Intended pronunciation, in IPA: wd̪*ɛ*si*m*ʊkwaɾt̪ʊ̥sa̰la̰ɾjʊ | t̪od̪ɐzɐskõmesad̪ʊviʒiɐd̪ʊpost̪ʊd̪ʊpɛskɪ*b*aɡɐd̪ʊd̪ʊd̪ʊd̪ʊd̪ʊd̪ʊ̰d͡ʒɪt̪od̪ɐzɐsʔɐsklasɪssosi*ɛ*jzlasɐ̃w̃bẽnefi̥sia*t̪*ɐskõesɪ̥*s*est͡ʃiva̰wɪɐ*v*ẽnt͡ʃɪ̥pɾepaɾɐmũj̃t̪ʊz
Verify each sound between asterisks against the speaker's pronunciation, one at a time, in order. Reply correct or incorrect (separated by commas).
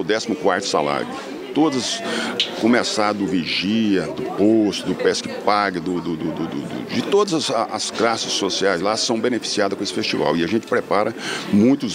correct, correct, incorrect, incorrect, incorrect, incorrect, incorrect